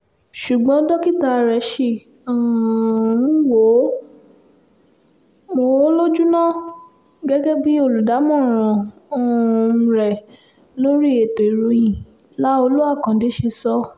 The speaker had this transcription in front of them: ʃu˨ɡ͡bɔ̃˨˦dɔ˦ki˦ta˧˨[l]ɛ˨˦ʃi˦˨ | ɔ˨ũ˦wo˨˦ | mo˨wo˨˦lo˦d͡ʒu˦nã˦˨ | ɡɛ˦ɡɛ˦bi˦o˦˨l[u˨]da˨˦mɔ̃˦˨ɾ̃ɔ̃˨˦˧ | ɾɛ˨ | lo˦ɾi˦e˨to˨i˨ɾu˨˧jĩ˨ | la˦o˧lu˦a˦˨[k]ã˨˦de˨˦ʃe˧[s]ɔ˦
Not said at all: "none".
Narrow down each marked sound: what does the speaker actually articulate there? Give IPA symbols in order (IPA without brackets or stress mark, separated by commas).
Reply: ɾ, u˨, k, s